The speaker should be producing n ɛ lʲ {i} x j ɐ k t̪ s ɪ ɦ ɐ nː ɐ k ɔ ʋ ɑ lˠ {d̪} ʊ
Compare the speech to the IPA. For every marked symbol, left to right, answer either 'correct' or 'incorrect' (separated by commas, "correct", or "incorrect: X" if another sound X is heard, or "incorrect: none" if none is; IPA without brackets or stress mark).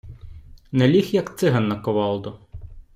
correct, correct